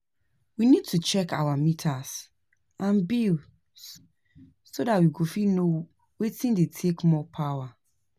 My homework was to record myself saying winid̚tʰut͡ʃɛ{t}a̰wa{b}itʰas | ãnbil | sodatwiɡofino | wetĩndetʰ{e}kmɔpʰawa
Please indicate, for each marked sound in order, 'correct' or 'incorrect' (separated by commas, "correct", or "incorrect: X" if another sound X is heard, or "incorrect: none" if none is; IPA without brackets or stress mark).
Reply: incorrect: k, incorrect: m, correct